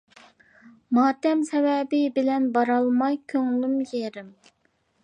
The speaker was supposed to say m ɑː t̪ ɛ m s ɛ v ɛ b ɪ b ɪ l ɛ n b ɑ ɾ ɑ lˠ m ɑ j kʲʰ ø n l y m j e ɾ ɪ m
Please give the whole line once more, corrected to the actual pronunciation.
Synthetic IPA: m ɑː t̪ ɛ m s ɛ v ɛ b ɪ b ɪ l ɛ n b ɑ ɾ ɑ lˠ m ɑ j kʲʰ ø ŋ l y m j e ɾ ɪ m